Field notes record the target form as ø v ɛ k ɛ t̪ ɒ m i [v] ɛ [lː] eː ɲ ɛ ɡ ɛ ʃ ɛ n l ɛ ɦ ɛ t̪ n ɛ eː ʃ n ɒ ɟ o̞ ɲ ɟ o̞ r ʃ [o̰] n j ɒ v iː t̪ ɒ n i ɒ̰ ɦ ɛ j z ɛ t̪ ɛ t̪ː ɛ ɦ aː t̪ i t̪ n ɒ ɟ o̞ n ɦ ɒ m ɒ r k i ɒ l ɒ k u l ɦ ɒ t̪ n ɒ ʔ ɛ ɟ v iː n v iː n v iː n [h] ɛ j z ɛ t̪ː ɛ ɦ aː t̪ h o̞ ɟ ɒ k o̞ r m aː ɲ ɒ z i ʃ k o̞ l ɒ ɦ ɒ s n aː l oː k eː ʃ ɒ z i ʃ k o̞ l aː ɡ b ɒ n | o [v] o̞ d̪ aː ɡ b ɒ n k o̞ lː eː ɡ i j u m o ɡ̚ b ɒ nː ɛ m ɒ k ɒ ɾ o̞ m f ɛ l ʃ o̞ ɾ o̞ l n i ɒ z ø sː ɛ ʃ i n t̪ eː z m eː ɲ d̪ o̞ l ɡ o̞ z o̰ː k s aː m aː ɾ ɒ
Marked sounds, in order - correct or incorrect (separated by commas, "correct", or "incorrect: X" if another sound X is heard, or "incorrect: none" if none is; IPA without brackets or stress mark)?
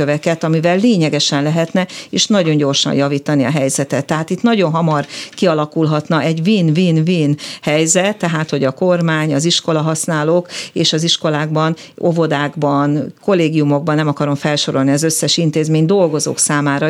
correct, correct, incorrect: ɒ̰, correct, correct